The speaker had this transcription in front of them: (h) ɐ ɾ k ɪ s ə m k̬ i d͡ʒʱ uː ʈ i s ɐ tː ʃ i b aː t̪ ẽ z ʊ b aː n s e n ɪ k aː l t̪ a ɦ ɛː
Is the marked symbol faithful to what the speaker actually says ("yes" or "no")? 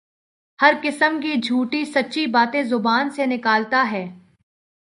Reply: yes